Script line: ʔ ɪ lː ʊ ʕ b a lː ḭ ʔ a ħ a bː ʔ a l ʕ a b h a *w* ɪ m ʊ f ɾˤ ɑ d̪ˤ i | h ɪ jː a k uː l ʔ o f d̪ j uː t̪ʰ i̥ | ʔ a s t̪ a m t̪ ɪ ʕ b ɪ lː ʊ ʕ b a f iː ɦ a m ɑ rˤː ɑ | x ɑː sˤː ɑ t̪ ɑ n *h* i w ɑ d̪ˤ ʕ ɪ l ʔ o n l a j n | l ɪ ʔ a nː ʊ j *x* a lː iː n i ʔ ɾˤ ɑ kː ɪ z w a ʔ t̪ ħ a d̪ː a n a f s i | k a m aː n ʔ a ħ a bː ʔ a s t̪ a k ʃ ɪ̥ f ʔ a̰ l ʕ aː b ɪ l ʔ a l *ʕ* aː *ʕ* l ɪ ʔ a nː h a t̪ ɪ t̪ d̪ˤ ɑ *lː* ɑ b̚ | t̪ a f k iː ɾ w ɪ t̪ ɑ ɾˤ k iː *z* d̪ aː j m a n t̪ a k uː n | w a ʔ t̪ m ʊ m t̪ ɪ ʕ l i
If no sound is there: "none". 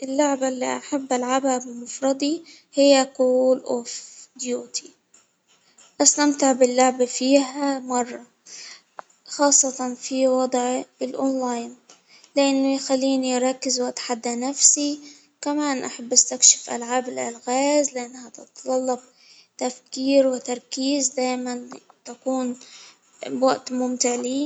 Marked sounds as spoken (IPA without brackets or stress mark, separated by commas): b, f, x, ɣ, z, lː, z